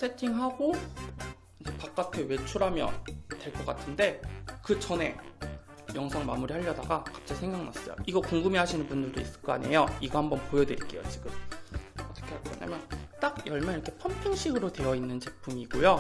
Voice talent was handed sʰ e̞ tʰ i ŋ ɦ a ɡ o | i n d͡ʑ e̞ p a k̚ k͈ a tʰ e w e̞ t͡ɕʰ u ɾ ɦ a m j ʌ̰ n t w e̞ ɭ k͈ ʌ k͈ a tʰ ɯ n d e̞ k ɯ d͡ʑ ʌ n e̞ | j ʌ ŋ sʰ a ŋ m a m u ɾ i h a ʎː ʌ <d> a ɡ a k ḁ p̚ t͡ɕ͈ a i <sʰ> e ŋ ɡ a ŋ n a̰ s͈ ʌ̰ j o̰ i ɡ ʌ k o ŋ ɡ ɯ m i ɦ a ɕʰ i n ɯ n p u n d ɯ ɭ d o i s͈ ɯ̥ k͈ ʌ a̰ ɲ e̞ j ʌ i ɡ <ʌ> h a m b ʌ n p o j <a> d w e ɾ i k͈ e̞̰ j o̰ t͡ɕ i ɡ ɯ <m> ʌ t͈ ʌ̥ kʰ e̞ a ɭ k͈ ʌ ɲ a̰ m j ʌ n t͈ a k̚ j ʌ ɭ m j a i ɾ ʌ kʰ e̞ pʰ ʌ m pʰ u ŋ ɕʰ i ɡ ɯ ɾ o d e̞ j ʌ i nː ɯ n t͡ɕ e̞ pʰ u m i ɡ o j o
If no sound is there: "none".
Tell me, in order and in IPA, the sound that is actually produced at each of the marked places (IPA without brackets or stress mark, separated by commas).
d, sʰ, ʌ, ʌ, m